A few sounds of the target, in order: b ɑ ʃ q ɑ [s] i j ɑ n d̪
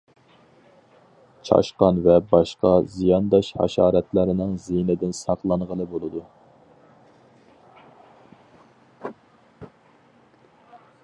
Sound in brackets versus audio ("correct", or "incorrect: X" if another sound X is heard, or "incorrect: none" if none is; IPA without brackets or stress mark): incorrect: z